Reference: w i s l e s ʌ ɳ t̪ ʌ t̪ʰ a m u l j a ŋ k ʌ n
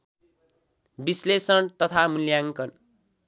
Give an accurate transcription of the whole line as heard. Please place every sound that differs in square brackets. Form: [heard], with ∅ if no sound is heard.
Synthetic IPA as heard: [b] i s l e s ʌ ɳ t̪ ʌ t̪ʰ a m u l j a ŋ k ʌ n